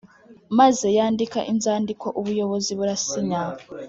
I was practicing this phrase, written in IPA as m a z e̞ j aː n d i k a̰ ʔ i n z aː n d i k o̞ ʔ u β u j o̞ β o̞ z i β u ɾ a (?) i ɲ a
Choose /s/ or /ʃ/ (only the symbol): s